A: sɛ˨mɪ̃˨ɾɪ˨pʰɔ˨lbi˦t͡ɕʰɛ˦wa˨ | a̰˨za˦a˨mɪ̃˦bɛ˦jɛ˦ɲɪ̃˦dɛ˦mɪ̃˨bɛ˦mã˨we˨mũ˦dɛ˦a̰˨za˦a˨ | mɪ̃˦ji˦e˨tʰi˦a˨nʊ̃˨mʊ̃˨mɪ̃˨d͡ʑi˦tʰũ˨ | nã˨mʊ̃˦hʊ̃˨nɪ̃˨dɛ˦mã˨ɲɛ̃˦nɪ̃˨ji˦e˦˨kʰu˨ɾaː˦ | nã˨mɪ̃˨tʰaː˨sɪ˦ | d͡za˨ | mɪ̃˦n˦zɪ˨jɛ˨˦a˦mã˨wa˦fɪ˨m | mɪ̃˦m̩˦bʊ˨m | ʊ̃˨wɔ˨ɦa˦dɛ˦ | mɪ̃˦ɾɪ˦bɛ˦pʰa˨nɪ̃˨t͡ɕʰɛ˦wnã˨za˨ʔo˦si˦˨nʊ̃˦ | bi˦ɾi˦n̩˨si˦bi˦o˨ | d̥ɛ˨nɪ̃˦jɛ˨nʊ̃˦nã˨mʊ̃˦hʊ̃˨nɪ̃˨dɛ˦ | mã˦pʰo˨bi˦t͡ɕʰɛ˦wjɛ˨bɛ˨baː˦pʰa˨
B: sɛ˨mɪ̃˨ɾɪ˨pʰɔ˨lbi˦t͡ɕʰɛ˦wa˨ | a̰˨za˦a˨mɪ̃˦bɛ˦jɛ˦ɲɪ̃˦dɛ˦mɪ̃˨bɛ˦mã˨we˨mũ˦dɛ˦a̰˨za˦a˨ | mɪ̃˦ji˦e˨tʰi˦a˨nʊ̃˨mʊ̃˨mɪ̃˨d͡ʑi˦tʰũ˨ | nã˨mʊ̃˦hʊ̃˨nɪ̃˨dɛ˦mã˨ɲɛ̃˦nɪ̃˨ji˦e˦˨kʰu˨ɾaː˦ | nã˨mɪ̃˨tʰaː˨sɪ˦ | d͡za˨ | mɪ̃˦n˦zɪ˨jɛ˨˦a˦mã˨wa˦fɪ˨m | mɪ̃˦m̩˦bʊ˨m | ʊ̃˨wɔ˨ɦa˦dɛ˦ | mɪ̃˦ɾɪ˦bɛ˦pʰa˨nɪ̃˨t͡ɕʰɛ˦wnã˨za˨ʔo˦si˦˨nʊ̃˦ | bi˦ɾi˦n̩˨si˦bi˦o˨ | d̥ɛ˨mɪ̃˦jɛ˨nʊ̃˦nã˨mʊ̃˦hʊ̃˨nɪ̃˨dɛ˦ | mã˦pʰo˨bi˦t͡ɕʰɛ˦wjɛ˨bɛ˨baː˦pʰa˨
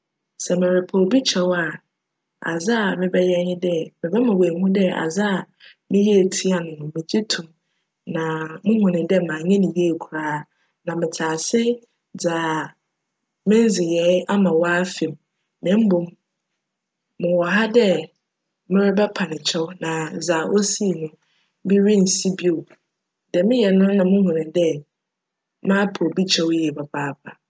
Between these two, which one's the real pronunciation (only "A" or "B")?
B